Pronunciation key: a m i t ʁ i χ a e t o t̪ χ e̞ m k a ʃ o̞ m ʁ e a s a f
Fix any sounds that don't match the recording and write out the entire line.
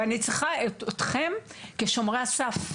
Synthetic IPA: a n i t͡s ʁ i χ a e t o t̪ χ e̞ m k e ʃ o̞ m ʁ e a s a f